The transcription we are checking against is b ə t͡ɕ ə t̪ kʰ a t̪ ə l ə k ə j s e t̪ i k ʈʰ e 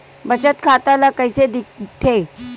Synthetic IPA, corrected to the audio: b ə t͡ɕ ə t̪ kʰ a t̪ a l a k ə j s e d̪ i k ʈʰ e